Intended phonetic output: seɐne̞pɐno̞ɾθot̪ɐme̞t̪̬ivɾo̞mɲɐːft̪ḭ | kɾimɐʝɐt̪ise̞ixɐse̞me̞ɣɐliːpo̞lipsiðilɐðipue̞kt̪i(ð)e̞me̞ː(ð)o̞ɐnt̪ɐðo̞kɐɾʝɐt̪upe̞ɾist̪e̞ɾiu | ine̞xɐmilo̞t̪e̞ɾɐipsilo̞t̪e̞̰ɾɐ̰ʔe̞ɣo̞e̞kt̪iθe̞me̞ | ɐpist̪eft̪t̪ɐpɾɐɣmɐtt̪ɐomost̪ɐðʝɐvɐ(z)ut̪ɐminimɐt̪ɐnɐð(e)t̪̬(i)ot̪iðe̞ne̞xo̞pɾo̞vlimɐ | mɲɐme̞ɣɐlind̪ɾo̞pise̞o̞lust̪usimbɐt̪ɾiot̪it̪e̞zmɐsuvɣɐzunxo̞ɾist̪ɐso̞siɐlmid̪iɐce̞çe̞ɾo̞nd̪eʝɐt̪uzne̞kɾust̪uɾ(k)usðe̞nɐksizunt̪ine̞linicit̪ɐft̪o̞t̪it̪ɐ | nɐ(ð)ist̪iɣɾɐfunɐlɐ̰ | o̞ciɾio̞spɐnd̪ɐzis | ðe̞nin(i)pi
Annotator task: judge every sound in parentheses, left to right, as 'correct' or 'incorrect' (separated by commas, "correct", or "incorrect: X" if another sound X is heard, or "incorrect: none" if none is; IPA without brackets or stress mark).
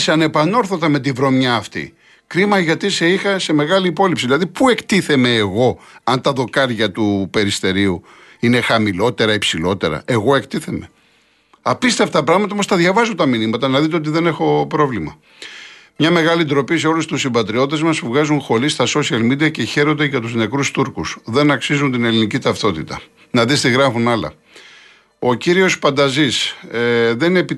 incorrect: θ, incorrect: ɣ, correct, incorrect: i, incorrect: e, correct, correct, incorrect: e